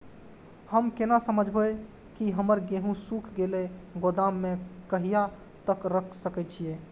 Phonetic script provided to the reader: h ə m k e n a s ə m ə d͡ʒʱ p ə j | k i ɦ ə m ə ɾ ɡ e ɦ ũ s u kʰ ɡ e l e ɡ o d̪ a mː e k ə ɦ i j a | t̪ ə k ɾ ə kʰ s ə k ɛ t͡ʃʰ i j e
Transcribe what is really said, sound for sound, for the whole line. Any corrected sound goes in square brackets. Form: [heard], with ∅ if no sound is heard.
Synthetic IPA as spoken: h ə m k e n a s ə m ə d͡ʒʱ [b] ə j | k i ɦ ə m ə ɾ ɡ e ɦ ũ s u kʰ ɡ e l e ɡ o d̪ a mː e k ə ɦ i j a | t̪ ə k ɾ ə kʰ s ə k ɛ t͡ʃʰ i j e